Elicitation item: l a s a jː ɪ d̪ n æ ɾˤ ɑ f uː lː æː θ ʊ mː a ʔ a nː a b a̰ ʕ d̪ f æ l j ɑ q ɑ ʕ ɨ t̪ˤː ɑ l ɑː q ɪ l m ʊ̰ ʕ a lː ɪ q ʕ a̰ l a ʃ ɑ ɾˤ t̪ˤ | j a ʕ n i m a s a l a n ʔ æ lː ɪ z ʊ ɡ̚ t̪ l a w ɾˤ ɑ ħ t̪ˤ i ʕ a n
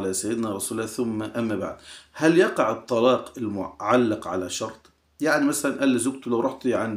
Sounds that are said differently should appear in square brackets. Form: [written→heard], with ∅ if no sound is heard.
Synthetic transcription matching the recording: l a s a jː ɪ d̪ n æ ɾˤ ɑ [f→s] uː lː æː θ ʊ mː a ʔ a [nː→mː] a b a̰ ʕ d̪ [f→h] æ l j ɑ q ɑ ʕ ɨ t̪ˤː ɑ l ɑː q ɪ l m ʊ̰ ʕ a lː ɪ q ʕ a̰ l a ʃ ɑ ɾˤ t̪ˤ | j a ʕ n i m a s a l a n ʔ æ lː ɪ z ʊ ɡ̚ t̪ l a w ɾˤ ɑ ħ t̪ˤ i ʕ a n